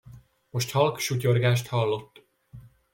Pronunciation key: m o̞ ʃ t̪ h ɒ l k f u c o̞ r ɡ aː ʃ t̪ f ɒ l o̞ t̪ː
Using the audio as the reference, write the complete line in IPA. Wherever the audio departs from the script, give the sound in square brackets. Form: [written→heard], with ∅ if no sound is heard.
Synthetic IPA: m o̞ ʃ t̪ h ɒ l k [f→ʃ] u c o̞ r ɡ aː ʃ t̪ [f→h] ɒ [l→lː] o̞ t̪ː